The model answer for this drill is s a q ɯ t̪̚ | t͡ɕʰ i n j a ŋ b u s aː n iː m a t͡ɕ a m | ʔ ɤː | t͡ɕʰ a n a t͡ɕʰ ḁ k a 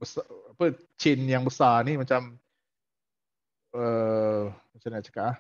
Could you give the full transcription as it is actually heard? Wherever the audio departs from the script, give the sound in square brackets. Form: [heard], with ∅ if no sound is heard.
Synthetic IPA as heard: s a [p] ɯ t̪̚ | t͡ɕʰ i n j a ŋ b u s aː n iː m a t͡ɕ a m | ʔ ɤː | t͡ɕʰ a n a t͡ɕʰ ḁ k a

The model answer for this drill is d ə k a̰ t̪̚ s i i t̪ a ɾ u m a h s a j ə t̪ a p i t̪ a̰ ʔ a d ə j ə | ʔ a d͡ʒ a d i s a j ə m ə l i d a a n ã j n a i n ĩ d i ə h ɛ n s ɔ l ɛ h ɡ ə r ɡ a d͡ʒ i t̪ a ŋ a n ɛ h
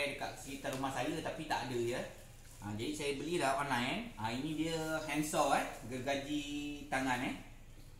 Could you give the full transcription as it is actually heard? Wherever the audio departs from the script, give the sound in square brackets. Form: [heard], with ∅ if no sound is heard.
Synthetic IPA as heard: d ə k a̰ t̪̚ s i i t̪ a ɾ u m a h s a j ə t̪ a p i t̪ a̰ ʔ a d ə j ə | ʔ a d͡ʒ a d i s a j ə [b] ə l i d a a n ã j n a i n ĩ d i ə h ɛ n s ɔ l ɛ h ɡ ə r ɡ a d͡ʒ i t̪ a ŋ a n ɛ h

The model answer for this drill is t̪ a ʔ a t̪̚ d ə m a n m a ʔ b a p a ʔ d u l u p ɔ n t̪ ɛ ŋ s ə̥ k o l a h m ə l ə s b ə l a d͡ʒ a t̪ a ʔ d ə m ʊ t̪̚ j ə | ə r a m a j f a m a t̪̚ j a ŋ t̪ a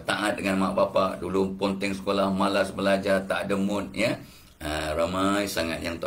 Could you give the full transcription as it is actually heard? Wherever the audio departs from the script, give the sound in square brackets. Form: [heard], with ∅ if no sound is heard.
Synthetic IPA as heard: t̪ a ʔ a t̪̚ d ə [ŋ] a n m a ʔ b a p a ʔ d u l u p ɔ n t̪ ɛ ŋ s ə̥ k o l a h m [a] l [a] s b ə l a d͡ʒ a t̪ a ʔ d ə m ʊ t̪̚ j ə | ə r a m a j [s] a [ŋ] a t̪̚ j a ŋ t̪ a

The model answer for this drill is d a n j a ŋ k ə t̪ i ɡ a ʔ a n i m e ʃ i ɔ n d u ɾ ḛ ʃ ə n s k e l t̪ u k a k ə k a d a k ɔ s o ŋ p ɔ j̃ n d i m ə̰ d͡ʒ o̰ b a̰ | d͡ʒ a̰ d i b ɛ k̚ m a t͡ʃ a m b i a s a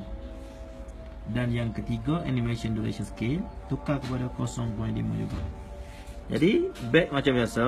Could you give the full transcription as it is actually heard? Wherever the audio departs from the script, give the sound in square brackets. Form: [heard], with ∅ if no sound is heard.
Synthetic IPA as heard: d a n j a ŋ k ə t̪ i ɡ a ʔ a n i m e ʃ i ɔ n d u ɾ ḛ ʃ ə n s k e l t̪ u k a k ə [p] a d a k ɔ s [ɔ] ŋ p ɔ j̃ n d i m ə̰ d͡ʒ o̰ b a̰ | d͡ʒ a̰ d i b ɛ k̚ m a t͡ʃ a m b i a s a

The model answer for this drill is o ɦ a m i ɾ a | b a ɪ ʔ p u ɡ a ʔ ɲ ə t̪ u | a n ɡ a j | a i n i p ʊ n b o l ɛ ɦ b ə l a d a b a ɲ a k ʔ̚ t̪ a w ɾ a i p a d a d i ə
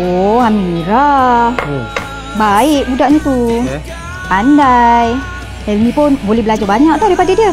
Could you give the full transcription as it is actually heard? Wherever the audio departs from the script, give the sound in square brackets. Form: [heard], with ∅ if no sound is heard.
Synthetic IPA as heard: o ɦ a m i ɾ a | b a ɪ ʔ [b] u [d] a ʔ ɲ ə t̪ u | a n [d] a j | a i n i p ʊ n b o l ɛ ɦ b ə l a [d͡ʒ] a b a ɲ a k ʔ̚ t̪ a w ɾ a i p a d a d i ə

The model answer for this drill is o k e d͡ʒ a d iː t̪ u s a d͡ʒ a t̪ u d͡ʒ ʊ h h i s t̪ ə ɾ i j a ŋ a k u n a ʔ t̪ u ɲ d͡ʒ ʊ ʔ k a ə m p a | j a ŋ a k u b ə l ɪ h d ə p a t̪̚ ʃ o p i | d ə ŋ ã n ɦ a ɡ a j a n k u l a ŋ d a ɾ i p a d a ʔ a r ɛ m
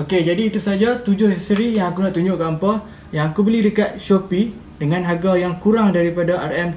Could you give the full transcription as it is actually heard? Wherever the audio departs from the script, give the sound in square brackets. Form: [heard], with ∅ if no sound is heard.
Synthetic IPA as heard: o k e d͡ʒ a d iː t̪ u s a d͡ʒ a t̪ u d͡ʒ ʊ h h i s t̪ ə ɾ i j a ŋ a k u n a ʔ t̪ u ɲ d͡ʒ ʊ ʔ k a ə m p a | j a ŋ a k u b ə l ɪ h d ə [k] a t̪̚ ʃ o p i | d ə ŋ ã n ɦ a ɡ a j a [ŋ] k u [ɾ] a ŋ d a ɾ i p a d a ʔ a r ɛ m

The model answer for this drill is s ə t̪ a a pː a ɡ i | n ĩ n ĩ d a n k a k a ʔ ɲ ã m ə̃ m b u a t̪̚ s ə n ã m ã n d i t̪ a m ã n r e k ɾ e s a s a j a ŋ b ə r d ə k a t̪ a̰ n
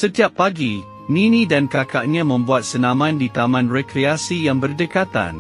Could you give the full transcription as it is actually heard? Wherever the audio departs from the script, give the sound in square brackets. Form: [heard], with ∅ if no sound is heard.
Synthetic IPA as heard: s ə t̪ [i] a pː a ɡ i | n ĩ n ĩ d a n k a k a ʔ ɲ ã m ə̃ m b u a t̪̚ s ə n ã m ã n d i t̪ a m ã n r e k ɾ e [∅] a s [i] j a ŋ b ə r d ə k a t̪ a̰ n

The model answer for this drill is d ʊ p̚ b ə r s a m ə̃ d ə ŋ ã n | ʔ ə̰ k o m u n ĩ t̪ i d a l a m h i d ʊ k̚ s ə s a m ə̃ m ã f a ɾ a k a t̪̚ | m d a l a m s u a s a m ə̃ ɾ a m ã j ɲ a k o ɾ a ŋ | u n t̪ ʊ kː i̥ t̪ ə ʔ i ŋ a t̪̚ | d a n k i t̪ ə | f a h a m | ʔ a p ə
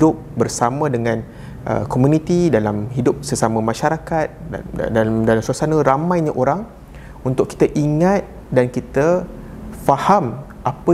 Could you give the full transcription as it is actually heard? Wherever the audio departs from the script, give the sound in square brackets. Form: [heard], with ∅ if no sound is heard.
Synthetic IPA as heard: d ʊ p̚ b ə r s a m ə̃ d ə ŋ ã n | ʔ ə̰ k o m u n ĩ t̪ i d a l a m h i d ʊ [p̚] s ə s a m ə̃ m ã [ʃ] a ɾ a k a t̪̚ | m d a l a m s u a s a [n] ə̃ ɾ a m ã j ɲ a [ʔ] o ɾ a ŋ | u n t̪ ʊ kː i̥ t̪ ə ʔ i ŋ a t̪̚ | d a n k i t̪ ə | f a h a m | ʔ a p ə

